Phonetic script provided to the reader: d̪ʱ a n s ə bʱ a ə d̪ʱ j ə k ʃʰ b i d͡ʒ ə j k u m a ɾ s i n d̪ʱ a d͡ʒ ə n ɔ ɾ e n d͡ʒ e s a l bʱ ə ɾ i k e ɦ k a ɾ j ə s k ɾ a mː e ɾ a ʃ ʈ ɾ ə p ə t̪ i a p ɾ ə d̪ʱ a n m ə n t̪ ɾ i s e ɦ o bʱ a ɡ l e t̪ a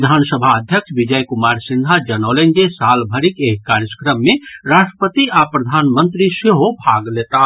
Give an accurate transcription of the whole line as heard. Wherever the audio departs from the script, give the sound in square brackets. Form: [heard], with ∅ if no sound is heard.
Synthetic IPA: d̪ʱ a n s ə bʱ a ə d̪ʱ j ə k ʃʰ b i d͡ʒ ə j k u m a ɾ s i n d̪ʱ a d͡ʒ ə n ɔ [l] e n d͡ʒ e s a l bʱ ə ɾ i k e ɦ k a ɾ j ə s k ɾ [ə] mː e ɾ a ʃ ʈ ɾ ə p ə t̪ i a p ɾ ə d̪ʱ a n m ə n t̪ ɾ i s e ɦ o bʱ a ɡ l e t̪ a